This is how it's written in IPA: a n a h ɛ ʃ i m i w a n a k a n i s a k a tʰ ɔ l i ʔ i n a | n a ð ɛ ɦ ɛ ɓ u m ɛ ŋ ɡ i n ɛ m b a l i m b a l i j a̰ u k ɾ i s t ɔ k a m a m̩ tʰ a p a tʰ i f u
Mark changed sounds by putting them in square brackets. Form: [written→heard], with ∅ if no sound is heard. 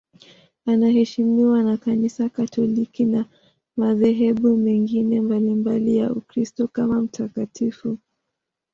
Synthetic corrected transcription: a n a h ɛ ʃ i m i w a n a k a n i s a k a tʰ ɔ l i [ʔ→k] i n a | [n→m] a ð ɛ ɦ ɛ ɓ u m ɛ ŋ ɡ i n ɛ m b a l i m b a l i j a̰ u k ɾ i s t ɔ k a m a m̩ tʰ a [p→k] a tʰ i f u

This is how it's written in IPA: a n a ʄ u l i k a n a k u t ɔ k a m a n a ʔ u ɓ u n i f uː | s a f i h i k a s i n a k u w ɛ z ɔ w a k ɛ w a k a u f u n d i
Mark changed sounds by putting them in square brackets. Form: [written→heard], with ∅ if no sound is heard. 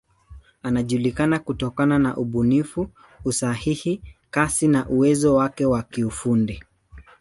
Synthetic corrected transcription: a n a ʄ u l i k a n a k u t ɔ k a [m→n] a n a ʔ u ɓ u n i f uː | s a [f→h] i h i k a s i n a [k→ʔ] u w ɛ z ɔ w a k ɛ w a k [a→i] u f u n d i

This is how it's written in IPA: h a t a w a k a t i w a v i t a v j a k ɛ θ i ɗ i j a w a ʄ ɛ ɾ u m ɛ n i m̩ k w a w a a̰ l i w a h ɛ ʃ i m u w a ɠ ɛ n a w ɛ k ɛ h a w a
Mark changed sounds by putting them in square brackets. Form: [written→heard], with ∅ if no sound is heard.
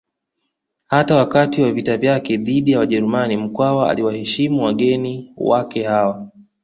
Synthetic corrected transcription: h a t a w a k a t i w a v i t a v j a k ɛ [θ→ð] i ɗ i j a w a ʄ ɛ ɾ u m [ɛ→a] n i m̩ k w a w a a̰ l i w a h ɛ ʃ i m u w a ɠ ɛ n [a→i] w [ɛ→a] k ɛ h a w a

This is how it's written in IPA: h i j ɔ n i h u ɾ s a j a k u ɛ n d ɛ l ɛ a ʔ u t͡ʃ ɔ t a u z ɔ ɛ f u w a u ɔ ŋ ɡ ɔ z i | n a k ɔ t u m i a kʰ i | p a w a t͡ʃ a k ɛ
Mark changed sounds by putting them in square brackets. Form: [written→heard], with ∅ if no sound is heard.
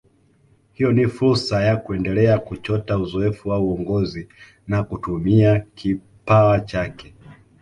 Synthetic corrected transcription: h i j ɔ n i [h→f] u ɾ s a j a k u ɛ n d ɛ l ɛ a [ʔ→k] u t͡ʃ ɔ t a u z ɔ ɛ f u w a u ɔ ŋ ɡ ɔ z i | n a k [ɔ→u] t u m i a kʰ i | p a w a t͡ʃ a k ɛ

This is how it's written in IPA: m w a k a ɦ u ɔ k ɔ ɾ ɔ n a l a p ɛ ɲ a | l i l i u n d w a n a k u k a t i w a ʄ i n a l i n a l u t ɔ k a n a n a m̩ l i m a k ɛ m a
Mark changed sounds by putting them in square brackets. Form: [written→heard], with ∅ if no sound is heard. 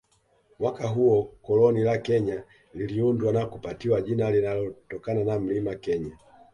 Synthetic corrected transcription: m w a k a ɦ u ɔ k ɔ [ɾ→l] ɔ n [a→i] l a [p→k] ɛ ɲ a | l i l i u n d w a n a k u [k→p] a t i w a ʄ i n a l i n a l [u→ɔ] t ɔ k a n a n a m̩ l i m a k ɛ [m→ɲ] a

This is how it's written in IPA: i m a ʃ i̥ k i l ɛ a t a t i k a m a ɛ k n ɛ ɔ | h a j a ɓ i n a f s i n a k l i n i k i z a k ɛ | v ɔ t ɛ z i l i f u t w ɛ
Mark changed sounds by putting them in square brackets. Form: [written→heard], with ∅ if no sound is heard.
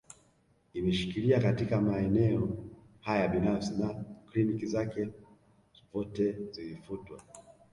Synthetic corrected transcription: i m [a→ɛ] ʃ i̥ k i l [ɛ→i] a [t→k] a t i k a m a ɛ [k→∅] n ɛ ɔ | h a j a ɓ i n a f s i n a k l i n i k i z a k ɛ | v ɔ t ɛ z i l i f u t w [ɛ→a]

